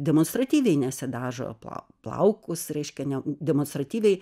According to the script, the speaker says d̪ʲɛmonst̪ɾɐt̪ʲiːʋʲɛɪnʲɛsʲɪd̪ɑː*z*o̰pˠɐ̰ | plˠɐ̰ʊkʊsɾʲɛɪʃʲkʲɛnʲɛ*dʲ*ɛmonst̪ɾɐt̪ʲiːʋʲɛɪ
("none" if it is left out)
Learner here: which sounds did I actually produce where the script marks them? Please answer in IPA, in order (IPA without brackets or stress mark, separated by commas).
ʒ, dʲ